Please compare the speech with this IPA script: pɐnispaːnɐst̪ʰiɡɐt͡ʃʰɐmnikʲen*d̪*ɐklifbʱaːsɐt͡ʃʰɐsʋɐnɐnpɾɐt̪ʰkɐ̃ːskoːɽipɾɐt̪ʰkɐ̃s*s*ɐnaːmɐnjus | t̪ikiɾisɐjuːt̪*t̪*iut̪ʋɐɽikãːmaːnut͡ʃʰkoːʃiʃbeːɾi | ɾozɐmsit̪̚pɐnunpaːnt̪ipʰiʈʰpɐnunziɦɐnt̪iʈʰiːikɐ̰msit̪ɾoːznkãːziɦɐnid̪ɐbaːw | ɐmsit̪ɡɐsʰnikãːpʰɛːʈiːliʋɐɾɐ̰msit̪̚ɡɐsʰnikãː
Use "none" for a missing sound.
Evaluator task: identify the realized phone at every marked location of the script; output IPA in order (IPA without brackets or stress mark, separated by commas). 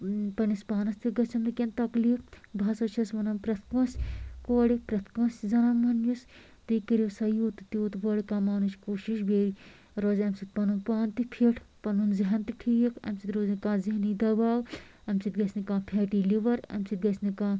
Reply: t̪, z, t̪